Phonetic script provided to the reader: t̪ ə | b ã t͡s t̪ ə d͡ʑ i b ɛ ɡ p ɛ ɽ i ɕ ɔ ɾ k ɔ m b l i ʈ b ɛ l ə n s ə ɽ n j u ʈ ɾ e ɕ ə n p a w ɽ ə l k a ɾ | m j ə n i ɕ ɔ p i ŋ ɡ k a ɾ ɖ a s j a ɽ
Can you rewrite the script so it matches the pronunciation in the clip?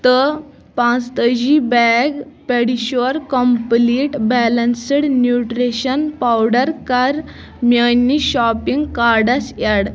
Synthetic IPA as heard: t̪ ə | p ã t͡s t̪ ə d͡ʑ i b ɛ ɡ p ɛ ɽ i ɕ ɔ ɾ k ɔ m p l i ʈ b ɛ l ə n s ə ɽ n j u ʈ ɾ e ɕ ə n p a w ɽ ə ɾ k a ɾ | m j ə n i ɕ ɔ p i ŋ ɡ k a ɾ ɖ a s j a ɽ